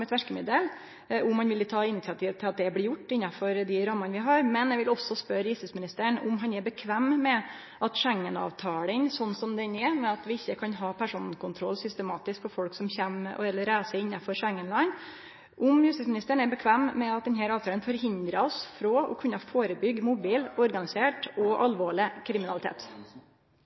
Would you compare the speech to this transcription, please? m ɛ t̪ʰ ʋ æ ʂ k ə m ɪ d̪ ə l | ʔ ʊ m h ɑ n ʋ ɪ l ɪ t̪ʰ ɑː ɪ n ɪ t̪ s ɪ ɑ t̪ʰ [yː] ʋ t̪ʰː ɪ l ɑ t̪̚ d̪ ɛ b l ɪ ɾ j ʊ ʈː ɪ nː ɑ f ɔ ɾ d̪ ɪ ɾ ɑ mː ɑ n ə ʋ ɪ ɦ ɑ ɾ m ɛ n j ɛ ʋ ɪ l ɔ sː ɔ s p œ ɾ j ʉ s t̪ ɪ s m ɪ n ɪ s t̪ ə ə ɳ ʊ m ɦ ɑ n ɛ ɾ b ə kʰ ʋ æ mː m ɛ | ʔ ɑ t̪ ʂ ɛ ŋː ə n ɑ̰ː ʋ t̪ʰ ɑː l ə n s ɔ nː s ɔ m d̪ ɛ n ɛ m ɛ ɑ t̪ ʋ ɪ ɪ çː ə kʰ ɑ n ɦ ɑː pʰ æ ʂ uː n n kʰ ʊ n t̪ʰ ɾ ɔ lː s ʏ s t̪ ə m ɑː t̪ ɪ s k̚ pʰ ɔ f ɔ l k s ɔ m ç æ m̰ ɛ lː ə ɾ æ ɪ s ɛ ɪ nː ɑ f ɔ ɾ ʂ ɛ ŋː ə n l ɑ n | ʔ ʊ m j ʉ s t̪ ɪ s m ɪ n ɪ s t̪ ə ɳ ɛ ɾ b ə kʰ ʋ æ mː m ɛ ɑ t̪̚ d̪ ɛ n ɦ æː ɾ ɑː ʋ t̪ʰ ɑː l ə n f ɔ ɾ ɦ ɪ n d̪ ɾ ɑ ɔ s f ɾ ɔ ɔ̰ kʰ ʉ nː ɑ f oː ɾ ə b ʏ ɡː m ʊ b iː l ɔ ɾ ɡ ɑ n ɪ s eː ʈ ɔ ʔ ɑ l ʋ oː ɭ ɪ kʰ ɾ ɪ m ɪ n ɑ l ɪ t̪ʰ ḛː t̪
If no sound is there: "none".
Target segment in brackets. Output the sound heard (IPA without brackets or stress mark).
iː